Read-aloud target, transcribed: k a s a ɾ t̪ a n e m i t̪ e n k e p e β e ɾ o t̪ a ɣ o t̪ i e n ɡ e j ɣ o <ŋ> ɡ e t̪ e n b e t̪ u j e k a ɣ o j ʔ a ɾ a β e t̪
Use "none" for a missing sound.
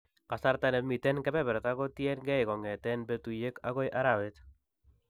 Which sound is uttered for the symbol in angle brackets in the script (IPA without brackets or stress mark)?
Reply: ŋ